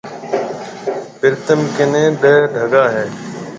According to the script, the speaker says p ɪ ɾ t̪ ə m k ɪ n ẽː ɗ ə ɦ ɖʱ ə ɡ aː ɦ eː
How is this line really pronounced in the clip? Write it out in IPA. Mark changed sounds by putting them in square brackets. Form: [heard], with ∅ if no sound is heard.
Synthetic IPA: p ɪ ɾ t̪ ə m k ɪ n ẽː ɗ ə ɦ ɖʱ ə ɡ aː ɦ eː